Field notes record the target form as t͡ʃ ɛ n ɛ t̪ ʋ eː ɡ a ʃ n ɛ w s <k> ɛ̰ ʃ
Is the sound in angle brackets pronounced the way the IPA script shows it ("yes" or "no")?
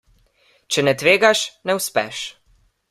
no